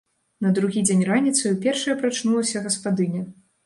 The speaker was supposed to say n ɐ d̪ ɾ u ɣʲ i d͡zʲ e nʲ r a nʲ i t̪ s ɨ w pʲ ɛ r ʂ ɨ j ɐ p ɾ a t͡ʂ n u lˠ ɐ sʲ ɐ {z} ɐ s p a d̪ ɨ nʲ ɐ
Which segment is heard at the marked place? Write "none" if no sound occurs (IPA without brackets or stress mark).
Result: ɣ